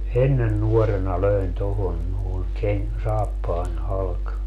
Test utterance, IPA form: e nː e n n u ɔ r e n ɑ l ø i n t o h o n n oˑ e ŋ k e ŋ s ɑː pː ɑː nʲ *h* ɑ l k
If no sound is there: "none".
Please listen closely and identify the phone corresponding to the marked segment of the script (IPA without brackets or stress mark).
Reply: h